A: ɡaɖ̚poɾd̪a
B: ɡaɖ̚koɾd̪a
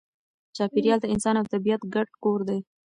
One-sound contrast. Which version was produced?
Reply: B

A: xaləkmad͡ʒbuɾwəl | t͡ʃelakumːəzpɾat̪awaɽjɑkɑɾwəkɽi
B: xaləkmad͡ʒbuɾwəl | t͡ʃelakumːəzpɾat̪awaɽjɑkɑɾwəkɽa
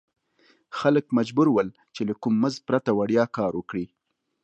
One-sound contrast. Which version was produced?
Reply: A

